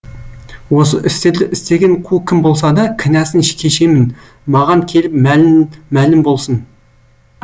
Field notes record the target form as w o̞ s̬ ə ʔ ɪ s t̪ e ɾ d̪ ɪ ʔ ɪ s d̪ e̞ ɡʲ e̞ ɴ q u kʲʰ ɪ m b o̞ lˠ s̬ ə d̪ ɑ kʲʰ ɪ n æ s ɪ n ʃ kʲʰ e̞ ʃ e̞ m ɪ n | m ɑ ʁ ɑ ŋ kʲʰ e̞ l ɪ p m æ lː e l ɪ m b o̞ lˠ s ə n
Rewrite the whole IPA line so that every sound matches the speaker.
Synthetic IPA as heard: w o̞ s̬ ə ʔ ɪ s t̪ e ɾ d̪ ɪ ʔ ɪ s t̪ e̞ ɡʲ e̞ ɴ qʰ u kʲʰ ɪ m b o̞ lˠ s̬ ɑ d̪ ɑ kʲʰ ɪ n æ s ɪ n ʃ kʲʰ e̞ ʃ e̞ m ɪ n | m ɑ ʁ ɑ ŋ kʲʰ e̞ l ɪ p m æ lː æ l ɪ m b o̞ lˠ s ə n